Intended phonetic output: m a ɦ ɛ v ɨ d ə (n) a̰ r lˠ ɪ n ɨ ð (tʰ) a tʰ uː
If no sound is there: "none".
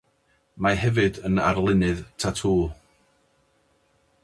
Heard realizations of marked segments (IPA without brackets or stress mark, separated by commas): n, tʰ